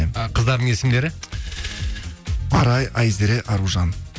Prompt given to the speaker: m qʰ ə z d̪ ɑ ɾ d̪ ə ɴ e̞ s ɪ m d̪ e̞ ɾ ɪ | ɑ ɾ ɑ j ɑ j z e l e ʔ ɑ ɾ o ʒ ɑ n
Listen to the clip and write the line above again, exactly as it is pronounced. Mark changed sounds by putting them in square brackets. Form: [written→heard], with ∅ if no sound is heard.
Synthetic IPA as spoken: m qʰ ə z d̪ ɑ ɾ d̪ ə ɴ e̞ s ɪ m d̪ e̞ ɾ ɪ | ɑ ɾ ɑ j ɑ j z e [l→ɾ] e ʔ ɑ ɾ [o→u] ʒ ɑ n